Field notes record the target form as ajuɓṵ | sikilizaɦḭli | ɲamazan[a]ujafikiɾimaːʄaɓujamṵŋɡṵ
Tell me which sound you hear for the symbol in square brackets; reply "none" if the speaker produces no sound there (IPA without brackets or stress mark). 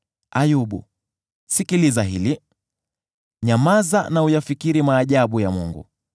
a